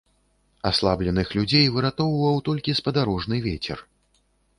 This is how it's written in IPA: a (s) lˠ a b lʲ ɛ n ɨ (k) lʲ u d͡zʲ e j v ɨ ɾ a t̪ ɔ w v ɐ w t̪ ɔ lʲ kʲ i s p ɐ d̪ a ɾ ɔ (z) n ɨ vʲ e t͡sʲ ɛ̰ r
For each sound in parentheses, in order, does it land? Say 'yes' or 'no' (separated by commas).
yes, no, no